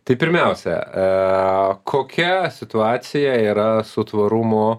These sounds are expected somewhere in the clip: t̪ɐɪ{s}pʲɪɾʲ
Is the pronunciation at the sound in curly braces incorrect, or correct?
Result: incorrect